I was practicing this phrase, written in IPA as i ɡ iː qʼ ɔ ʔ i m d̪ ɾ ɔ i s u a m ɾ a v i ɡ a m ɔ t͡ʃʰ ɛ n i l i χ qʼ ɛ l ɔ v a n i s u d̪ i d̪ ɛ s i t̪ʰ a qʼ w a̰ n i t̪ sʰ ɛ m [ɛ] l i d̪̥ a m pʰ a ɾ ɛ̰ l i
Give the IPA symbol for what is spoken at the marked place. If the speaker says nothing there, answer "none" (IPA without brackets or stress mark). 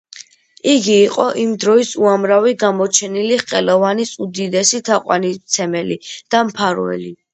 ɛ